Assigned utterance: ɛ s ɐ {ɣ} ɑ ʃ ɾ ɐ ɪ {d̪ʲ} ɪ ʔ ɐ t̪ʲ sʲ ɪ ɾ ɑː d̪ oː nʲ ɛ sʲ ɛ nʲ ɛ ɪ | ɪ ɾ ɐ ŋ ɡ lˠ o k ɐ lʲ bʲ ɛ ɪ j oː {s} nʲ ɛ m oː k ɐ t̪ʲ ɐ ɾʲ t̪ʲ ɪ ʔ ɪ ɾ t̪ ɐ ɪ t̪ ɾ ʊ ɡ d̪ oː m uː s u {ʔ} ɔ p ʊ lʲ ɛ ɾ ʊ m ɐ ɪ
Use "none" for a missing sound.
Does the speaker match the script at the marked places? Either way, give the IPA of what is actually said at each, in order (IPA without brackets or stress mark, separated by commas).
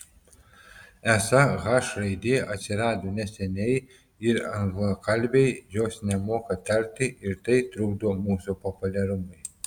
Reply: ɣ, d̪ʲ, s, p